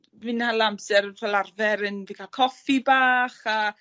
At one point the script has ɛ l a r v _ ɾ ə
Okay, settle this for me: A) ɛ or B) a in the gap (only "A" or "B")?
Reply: A